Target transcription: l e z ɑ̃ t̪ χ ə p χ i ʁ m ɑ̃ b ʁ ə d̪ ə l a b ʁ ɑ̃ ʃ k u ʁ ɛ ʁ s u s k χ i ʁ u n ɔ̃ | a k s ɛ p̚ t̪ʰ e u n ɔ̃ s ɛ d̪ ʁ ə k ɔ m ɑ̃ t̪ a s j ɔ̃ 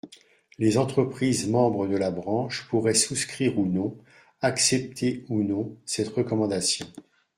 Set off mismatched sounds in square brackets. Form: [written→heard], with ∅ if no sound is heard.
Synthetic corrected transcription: l e z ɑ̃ t̪ χ ə p χ i [ʁ→z] m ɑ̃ b ʁ ə d̪ ə l a b ʁ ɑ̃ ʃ [k→p] u ʁ ɛ [ʁ→∅] s u s k χ i ʁ u n ɔ̃ | a k s ɛ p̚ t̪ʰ e u n ɔ̃ s ɛ [d̪→t̪] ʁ ə k ɔ m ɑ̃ [t̪→d̪] a s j ɔ̃